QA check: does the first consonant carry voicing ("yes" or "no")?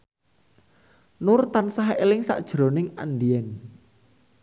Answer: yes